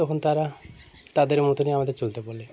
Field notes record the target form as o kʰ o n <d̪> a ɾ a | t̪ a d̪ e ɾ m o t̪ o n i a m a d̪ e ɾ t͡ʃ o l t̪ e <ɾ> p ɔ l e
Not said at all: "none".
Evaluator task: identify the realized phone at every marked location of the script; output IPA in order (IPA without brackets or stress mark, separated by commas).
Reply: t̪, none